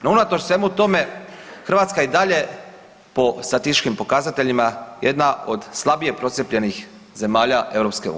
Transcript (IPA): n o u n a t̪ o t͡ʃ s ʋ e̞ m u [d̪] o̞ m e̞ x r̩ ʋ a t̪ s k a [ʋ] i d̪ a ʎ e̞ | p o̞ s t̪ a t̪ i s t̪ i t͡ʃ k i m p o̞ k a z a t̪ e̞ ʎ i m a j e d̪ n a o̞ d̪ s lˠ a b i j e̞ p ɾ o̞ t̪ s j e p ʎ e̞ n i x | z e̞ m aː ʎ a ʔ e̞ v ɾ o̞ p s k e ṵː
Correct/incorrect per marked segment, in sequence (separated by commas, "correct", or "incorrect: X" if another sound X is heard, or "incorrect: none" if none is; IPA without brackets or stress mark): incorrect: t̪, incorrect: none